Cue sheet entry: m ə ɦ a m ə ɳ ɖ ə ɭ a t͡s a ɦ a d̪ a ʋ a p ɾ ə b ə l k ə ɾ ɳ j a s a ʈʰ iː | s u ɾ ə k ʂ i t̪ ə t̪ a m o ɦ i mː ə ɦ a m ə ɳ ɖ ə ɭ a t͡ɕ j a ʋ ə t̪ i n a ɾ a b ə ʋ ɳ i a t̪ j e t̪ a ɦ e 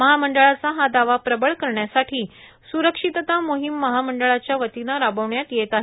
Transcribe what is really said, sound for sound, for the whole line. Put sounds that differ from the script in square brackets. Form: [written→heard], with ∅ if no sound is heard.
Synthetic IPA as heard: m ə ɦ a m ə ɳ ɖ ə ɭ a t͡s a ɦ a d̪ a ʋ a p ɾ ə b ə [l→ɭ] k ə ɾ ɳ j a s a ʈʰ iː | s u ɾ ə k ʂ i t̪ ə t̪ a m o ɦ i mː ə ɦ a m ə ɳ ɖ ə ɭ a t͡ɕ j a ʋ ə t̪ i n a ɾ a b ə ʋ ɳ [i→j] a t̪ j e t̪ a ɦ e